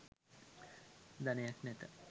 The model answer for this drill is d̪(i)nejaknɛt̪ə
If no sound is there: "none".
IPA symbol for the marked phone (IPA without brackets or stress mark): a